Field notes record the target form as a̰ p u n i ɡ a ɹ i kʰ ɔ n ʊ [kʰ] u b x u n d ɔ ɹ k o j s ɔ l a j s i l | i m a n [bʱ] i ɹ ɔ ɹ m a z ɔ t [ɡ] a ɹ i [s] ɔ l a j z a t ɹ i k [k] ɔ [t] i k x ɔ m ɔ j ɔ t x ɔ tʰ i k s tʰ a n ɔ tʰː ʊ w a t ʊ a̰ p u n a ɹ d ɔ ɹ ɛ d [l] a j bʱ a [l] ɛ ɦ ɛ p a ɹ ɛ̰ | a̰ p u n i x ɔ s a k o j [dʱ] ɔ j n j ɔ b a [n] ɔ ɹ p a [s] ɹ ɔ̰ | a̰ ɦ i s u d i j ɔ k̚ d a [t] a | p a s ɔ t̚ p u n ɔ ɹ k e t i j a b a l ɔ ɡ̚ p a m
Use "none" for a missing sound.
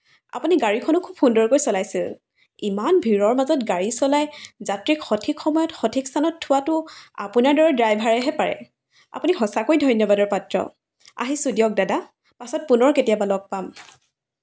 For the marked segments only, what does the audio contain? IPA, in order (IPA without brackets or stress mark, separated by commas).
kʰ, bʱ, ɡ, s, x, tʰ, ɹ, ɹ, dʱ, d, t, d